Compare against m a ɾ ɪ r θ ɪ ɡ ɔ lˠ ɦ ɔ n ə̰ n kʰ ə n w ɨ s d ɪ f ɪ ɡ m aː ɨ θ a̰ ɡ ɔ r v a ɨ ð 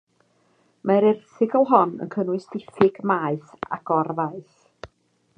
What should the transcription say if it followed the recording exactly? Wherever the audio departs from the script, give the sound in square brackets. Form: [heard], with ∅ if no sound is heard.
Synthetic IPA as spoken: m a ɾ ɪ r θ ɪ ɡ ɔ lˠ ɦ ɔ n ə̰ n kʰ ə n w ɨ s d ɪ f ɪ ɡ m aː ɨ θ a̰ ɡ ɔ r v a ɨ [θ]